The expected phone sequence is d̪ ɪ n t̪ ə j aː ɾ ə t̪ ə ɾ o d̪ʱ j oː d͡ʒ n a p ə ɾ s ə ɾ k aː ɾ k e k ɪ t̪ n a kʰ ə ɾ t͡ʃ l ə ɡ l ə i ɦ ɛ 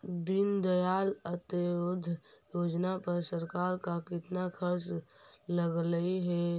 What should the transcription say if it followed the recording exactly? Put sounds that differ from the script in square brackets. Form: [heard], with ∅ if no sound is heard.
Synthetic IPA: d̪ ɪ n [d̪] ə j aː [l] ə t̪ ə ɾ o d̪ʱ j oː d͡ʒ n a p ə ɾ s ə ɾ k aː ɾ k [a] k ɪ t̪ n a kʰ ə ɾ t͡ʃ l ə ɡ l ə i ɦ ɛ